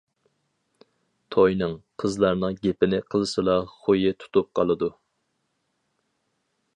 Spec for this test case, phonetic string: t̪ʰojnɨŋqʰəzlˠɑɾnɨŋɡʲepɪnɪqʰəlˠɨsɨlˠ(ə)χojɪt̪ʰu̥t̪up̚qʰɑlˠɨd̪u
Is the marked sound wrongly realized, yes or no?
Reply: yes